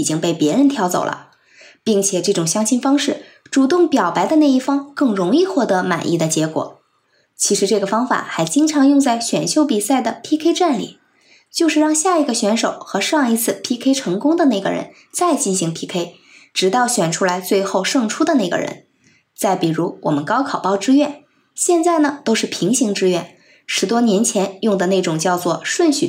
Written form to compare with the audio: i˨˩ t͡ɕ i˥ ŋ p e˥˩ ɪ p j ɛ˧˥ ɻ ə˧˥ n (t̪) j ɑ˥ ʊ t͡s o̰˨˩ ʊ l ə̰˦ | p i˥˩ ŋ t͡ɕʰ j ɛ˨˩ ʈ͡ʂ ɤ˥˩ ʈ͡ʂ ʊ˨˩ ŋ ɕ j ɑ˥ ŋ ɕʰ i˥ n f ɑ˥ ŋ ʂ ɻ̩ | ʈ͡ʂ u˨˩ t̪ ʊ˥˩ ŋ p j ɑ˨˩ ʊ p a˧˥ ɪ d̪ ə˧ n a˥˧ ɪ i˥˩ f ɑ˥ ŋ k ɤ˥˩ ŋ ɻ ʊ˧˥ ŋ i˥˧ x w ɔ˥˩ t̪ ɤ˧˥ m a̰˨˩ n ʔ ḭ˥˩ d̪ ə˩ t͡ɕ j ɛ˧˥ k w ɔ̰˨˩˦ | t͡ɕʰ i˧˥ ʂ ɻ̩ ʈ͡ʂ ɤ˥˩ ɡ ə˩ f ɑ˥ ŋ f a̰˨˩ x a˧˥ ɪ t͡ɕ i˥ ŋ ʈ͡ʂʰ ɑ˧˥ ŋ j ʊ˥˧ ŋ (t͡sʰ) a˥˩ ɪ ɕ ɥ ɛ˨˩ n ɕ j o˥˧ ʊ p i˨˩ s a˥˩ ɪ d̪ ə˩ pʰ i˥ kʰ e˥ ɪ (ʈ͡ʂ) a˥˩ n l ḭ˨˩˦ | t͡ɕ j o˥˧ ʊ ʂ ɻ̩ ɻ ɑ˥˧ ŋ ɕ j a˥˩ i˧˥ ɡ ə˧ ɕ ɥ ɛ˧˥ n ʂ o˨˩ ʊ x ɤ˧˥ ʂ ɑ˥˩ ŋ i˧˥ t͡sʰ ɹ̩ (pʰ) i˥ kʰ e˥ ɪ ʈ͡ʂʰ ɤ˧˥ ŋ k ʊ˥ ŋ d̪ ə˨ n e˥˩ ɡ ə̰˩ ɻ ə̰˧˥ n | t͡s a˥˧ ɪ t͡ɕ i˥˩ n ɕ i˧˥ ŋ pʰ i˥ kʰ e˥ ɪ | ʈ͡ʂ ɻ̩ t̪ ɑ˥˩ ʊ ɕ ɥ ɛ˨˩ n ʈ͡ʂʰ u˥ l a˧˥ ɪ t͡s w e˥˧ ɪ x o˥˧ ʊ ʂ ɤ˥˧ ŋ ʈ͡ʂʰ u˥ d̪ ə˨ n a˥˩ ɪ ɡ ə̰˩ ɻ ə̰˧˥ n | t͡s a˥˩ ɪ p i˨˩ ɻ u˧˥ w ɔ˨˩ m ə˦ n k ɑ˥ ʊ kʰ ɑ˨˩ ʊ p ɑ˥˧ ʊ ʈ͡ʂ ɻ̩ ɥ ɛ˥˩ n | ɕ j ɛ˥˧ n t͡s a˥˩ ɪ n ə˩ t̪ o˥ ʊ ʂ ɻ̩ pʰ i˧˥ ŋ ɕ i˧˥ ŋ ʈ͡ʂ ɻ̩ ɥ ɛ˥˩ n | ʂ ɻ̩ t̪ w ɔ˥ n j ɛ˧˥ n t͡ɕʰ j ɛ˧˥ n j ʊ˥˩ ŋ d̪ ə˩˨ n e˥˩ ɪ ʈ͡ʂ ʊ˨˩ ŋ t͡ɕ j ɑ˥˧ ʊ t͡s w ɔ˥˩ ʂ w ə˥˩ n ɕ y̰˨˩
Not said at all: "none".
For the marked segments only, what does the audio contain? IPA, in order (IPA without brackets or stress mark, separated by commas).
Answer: t̪ʰ, t͡s, ʈ͡ʂ, pʰ